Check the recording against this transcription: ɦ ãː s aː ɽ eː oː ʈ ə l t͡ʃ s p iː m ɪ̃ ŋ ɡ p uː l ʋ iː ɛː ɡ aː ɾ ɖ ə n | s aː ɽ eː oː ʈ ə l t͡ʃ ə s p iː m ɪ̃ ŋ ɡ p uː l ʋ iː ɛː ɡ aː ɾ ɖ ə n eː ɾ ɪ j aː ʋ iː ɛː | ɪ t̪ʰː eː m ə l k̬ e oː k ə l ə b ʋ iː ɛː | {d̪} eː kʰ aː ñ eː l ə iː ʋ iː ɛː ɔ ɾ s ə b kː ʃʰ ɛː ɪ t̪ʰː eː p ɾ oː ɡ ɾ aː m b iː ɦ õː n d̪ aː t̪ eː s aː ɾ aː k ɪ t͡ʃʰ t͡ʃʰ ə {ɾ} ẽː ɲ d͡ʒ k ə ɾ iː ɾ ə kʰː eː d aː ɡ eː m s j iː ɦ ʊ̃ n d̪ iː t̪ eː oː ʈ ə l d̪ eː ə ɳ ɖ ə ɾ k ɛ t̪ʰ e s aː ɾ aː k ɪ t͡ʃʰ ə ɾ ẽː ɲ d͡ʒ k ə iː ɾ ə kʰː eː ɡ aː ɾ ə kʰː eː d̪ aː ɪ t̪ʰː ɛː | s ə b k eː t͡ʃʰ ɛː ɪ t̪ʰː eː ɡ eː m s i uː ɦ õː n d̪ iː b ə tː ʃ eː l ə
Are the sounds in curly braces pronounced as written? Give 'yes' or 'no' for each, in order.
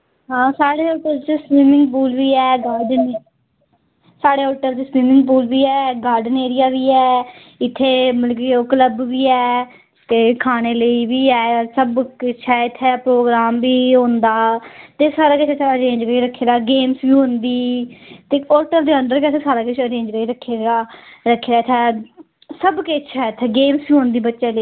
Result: no, yes

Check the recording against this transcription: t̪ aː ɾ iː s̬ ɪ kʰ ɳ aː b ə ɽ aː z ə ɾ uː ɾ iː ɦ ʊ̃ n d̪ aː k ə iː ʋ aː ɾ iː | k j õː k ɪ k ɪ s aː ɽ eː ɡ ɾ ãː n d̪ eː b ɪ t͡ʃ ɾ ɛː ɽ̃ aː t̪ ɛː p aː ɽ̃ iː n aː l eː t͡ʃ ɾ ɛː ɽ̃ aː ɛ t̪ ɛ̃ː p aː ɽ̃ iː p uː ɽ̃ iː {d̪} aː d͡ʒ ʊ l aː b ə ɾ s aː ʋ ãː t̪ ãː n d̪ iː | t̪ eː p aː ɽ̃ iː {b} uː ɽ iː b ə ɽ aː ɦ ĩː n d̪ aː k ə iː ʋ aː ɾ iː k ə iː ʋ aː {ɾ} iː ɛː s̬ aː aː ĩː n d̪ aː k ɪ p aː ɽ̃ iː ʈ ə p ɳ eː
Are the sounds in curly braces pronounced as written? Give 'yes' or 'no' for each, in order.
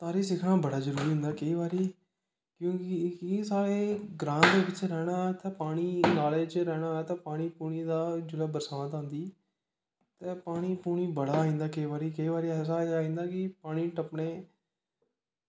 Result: yes, no, yes

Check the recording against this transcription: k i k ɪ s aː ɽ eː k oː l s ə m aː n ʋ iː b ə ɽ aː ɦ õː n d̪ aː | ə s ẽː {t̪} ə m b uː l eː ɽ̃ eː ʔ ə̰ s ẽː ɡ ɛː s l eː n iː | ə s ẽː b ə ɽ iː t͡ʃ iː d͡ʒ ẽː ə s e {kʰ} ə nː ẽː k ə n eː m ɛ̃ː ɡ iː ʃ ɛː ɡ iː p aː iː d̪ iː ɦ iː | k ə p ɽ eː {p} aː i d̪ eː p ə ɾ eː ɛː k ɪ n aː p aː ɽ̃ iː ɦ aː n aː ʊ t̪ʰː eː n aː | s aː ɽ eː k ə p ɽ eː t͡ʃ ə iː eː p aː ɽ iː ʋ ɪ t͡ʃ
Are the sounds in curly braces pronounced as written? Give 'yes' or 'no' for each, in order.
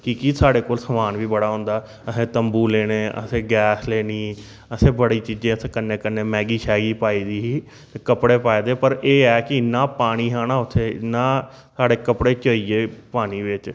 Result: yes, no, yes

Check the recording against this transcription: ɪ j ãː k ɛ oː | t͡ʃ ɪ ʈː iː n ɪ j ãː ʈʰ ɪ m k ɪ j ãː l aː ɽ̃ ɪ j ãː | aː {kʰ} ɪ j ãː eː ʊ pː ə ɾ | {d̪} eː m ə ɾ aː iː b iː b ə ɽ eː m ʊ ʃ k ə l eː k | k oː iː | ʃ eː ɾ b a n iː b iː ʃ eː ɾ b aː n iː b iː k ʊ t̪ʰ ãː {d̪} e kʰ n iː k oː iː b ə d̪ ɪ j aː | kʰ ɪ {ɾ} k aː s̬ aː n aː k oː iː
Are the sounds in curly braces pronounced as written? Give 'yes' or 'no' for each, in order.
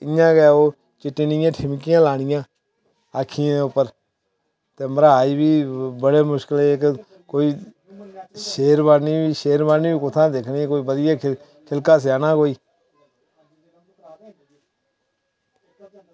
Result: yes, no, yes, no

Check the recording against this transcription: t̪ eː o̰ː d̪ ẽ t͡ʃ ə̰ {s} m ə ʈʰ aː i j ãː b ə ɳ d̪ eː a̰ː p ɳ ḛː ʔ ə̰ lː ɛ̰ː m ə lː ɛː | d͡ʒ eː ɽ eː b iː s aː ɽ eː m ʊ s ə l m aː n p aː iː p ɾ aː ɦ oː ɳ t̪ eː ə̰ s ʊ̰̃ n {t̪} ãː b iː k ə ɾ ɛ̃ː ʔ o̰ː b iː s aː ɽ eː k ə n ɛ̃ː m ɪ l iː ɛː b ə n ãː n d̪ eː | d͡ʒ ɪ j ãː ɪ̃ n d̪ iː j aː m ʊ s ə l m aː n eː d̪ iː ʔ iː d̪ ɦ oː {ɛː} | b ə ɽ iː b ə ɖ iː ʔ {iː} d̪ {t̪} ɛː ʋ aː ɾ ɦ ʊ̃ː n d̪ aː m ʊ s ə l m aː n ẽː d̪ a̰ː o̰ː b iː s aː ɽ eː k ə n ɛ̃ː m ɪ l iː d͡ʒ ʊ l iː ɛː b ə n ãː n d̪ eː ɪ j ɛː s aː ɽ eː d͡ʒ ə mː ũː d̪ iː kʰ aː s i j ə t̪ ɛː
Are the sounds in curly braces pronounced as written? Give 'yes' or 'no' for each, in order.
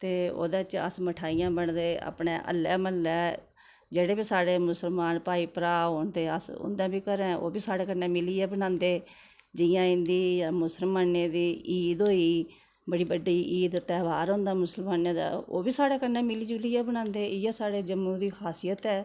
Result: yes, no, no, yes, yes

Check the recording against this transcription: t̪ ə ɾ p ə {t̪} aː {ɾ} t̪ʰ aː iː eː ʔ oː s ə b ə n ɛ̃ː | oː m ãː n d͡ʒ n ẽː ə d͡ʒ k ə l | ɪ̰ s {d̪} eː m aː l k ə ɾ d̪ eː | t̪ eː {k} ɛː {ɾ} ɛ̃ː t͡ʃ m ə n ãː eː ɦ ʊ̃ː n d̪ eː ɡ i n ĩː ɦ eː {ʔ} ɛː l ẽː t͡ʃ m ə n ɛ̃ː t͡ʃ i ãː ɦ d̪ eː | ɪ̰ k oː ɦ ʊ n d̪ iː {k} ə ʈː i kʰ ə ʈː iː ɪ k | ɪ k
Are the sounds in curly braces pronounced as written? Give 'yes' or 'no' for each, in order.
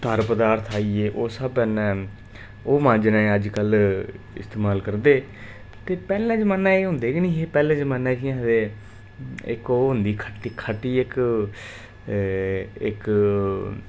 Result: no, yes, no, no, no, no, no

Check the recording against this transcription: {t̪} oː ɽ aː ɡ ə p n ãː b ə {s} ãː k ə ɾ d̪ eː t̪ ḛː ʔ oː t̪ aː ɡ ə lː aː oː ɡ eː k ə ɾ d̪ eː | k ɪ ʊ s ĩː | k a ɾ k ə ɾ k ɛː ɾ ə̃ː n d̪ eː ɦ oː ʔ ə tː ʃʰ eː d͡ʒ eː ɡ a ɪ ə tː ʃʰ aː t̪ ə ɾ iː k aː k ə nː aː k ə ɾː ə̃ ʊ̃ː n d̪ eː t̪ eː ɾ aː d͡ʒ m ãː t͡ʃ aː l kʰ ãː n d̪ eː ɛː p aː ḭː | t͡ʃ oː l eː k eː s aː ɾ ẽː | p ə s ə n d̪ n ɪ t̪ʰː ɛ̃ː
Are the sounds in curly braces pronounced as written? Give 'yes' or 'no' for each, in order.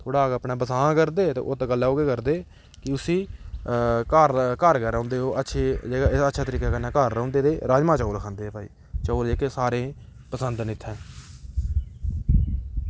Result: no, yes

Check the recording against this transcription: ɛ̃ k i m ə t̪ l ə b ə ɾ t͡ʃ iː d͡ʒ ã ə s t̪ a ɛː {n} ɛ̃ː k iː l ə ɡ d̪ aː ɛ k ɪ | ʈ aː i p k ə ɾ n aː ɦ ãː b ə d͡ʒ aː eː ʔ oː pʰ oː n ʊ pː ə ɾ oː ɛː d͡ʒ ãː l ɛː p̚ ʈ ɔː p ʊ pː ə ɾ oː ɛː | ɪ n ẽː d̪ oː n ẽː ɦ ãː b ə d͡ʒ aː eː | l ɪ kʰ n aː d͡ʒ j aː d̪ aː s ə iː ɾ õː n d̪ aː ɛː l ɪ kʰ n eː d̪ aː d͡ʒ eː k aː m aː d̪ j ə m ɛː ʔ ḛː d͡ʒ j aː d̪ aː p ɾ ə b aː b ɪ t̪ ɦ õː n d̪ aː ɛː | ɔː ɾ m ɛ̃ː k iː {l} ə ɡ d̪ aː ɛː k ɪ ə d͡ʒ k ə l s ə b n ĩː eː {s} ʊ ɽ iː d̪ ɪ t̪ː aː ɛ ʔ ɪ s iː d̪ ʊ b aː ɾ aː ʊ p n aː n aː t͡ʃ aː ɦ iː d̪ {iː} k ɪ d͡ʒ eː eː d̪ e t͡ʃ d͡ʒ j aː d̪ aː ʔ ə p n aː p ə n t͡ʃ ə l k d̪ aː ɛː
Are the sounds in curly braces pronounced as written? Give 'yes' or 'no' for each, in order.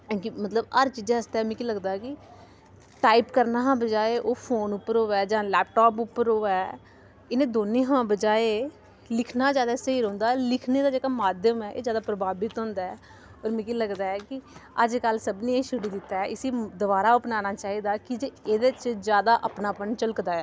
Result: no, yes, no, no

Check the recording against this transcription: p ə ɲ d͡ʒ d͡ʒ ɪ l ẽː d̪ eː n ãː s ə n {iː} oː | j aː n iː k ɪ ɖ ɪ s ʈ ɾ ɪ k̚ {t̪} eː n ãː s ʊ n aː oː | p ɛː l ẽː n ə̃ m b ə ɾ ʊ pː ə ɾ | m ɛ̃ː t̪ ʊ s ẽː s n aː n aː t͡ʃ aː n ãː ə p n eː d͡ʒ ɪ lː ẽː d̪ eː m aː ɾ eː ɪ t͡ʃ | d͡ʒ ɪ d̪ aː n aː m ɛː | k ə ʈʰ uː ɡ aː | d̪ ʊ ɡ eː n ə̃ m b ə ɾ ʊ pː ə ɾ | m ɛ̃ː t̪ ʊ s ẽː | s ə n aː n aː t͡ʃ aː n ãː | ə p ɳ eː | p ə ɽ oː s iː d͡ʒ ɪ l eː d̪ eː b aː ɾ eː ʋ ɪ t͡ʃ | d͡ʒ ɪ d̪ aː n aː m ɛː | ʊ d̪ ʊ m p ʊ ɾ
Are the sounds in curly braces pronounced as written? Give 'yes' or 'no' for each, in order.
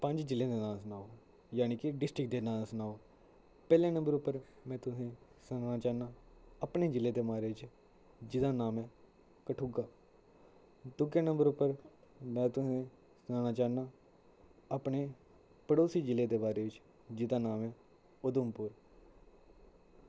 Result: no, no

